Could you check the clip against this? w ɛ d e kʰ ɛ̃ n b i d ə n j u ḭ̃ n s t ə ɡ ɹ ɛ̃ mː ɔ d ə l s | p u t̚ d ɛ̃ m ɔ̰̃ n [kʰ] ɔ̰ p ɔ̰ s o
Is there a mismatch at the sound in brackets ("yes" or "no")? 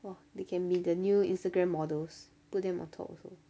yes